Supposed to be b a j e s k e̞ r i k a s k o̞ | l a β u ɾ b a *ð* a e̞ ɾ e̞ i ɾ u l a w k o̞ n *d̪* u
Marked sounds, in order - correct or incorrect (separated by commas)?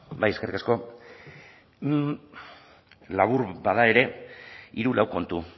correct, incorrect